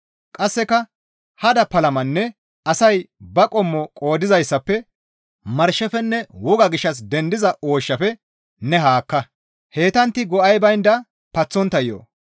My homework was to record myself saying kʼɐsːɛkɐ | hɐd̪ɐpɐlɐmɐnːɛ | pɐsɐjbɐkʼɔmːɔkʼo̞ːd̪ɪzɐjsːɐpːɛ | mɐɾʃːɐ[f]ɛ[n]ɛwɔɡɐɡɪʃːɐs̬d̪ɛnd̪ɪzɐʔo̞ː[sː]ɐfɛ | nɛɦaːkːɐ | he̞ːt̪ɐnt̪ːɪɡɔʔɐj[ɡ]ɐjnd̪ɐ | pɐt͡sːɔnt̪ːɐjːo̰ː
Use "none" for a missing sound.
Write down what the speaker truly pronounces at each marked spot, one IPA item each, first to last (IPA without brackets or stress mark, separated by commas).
f, nː, ʃː, b